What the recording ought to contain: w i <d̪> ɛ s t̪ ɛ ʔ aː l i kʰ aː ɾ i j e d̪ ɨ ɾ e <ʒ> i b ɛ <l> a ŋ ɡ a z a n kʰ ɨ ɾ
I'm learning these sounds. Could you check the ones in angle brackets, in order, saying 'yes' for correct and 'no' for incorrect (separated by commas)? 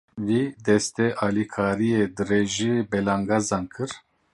yes, yes, yes